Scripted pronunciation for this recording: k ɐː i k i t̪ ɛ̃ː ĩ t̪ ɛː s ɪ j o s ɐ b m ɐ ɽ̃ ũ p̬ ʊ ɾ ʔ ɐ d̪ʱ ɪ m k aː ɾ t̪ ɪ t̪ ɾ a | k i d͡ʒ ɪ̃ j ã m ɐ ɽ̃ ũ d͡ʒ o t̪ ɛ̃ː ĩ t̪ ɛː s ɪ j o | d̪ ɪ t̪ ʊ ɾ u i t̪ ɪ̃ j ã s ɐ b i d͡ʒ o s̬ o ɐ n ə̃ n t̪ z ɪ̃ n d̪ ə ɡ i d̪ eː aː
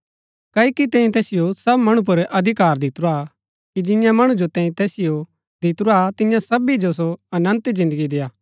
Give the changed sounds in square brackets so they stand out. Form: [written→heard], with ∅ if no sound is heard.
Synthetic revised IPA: k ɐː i k i t̪ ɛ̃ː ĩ t̪ ɛː s ɪ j o s ɐ b m ɐ ɽ̃ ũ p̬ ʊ ɾ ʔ ɐ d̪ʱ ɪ [m→∅] k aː ɾ [t̪→d̪] ɪ t̪ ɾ a | k i d͡ʒ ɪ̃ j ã m ɐ ɽ̃ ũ d͡ʒ o t̪ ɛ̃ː ĩ t̪ ɛː s ɪ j o | d̪ ɪ t̪ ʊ ɾ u [i→a] t̪ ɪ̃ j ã s ɐ b i d͡ʒ o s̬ o ɐ n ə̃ n t̪ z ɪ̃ n d̪ ə ɡ i d̪ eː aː